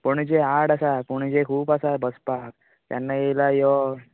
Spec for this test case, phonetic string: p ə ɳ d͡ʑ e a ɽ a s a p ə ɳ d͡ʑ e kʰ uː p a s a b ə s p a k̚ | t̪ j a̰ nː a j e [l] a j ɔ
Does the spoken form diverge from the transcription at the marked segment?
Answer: no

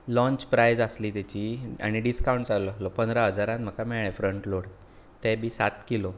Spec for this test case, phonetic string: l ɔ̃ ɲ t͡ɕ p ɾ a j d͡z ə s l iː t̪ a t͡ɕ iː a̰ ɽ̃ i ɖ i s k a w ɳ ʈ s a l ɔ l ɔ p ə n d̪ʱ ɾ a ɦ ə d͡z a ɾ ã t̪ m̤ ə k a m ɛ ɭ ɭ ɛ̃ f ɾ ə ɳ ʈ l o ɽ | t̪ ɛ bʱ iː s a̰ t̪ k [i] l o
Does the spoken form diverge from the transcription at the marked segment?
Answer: no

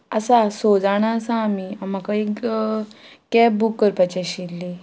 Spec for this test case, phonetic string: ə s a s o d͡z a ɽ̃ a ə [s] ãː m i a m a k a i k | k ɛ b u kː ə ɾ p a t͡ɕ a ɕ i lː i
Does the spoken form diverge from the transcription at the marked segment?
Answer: no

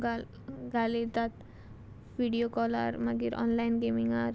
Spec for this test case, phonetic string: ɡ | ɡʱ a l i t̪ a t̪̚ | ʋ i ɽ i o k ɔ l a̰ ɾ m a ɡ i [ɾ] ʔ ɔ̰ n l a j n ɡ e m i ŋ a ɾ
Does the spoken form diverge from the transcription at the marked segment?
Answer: no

